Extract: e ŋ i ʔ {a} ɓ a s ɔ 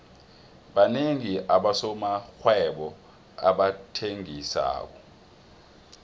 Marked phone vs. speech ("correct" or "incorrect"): correct